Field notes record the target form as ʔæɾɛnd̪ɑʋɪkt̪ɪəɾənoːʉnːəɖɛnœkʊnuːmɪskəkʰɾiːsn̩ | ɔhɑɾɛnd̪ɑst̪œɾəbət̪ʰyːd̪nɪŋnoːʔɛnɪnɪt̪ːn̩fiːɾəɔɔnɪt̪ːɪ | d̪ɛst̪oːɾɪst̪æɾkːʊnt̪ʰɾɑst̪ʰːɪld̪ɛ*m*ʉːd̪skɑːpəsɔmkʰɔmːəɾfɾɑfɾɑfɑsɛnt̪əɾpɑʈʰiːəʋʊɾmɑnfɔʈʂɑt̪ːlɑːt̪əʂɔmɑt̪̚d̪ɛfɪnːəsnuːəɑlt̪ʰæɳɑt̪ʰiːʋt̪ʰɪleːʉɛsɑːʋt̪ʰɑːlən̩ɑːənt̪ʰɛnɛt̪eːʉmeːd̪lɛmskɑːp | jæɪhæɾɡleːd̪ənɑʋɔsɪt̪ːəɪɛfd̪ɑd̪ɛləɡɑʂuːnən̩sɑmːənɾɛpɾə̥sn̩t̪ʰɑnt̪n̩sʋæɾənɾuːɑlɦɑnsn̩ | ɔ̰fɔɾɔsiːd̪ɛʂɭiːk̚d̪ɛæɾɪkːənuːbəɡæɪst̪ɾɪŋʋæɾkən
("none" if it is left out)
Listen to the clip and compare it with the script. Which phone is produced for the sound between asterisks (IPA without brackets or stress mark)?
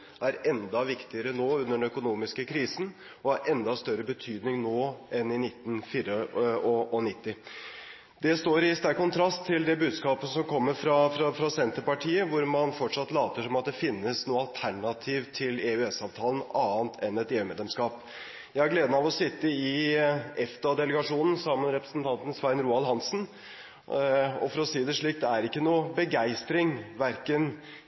b